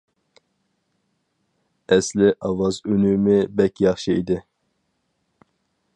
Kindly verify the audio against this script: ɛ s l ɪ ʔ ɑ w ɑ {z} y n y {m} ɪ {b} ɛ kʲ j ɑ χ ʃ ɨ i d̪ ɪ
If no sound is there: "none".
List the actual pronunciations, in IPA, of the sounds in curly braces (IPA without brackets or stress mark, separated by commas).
z, m, b